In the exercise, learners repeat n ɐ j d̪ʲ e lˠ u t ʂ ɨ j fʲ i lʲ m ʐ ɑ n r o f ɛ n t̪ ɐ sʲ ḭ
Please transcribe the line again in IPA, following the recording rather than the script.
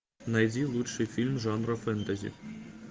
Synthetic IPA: n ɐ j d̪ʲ i lˠ u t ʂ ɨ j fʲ i lʲ m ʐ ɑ n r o f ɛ n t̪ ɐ zʲ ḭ